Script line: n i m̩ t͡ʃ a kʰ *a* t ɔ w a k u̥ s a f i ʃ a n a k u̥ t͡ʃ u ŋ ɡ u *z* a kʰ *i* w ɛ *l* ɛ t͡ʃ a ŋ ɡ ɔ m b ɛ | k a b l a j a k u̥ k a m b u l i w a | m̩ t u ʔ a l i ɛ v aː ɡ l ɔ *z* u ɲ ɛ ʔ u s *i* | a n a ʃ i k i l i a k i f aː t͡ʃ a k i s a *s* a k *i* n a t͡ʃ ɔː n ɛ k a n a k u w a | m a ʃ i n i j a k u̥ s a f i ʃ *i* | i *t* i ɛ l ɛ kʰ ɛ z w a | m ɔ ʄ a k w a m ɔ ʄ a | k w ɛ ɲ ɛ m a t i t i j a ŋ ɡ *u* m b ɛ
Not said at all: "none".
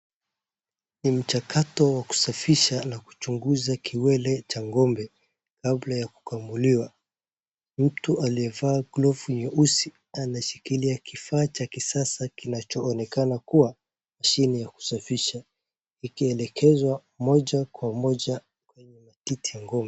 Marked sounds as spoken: a, z, i, l, v, i, s, i, a, k, ɔ

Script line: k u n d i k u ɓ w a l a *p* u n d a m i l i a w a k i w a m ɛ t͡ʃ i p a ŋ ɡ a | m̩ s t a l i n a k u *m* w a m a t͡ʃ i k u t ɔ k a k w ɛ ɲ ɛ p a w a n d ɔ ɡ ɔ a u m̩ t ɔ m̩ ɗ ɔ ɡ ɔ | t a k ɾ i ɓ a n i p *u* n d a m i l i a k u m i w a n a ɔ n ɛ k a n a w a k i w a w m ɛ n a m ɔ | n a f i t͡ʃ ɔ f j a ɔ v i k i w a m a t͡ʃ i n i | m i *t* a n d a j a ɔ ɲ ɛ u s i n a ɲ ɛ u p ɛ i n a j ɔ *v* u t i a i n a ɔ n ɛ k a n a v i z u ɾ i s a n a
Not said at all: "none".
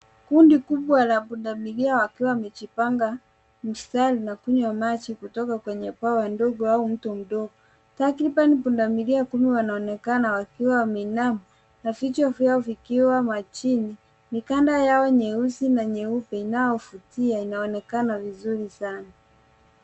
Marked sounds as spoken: p, ɲ, u, k, f

